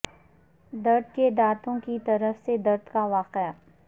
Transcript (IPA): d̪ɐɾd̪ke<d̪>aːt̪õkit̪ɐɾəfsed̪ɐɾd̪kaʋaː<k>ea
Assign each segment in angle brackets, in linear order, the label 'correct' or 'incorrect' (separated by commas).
correct, incorrect